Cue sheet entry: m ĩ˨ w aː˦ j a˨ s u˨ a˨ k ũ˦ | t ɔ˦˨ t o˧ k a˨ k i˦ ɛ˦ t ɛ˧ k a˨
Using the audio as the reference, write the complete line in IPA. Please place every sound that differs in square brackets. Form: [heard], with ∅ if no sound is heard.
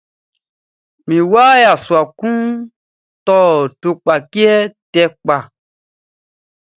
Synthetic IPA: m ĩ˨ w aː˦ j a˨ s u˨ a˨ k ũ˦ | t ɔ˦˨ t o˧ [k͡p] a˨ k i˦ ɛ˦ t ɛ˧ [k͡p] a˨